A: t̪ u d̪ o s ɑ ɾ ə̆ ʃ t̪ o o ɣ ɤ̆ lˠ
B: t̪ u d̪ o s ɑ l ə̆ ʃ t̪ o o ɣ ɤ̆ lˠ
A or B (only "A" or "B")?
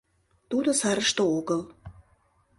A